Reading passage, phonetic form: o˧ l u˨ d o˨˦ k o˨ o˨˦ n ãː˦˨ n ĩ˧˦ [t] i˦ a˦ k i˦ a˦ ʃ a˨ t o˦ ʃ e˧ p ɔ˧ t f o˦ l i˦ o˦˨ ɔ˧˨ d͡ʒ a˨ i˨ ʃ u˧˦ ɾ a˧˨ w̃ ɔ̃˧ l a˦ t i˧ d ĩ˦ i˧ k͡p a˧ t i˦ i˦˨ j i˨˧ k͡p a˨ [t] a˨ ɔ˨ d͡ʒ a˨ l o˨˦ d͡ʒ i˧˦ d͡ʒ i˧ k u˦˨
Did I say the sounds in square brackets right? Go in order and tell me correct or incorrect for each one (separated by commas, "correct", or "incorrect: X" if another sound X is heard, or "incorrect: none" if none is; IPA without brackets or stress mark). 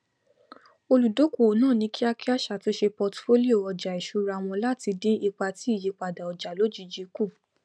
incorrect: k, incorrect: d